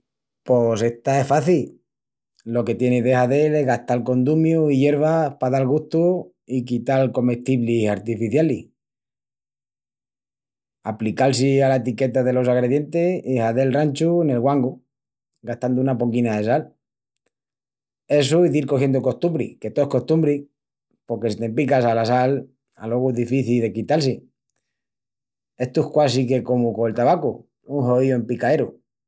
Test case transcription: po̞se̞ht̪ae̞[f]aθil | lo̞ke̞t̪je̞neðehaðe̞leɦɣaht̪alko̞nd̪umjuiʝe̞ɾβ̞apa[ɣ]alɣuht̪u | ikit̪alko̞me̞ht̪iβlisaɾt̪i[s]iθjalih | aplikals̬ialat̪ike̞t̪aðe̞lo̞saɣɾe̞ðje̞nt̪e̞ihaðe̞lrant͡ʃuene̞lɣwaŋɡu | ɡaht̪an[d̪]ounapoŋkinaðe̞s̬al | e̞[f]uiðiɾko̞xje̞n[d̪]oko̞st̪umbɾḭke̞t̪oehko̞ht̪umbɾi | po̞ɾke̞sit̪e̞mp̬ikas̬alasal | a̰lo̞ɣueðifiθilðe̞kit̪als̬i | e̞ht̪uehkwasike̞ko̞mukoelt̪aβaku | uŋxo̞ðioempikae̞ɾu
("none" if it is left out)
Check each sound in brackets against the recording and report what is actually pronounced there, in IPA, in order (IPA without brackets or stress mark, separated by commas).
f, ð, f, d̪, s, d̪